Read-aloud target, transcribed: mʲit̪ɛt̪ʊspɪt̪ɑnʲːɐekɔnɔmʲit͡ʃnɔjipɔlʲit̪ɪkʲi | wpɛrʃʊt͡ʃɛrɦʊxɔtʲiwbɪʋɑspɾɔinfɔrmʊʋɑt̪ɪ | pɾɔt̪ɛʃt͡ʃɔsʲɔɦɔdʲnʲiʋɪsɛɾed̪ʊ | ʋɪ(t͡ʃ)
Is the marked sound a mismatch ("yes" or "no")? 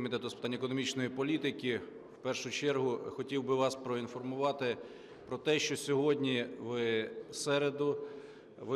yes